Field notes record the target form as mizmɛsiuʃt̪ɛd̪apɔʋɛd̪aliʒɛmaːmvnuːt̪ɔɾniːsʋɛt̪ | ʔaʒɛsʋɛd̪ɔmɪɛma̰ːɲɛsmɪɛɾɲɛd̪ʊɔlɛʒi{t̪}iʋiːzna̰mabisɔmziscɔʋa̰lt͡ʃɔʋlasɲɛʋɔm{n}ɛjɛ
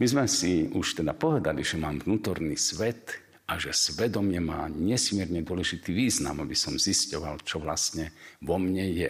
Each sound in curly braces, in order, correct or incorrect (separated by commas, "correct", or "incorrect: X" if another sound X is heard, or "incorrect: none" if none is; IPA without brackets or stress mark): correct, incorrect: ɲ